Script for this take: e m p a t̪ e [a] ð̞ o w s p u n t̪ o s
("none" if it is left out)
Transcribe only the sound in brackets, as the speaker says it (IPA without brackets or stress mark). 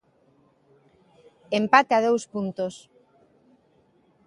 a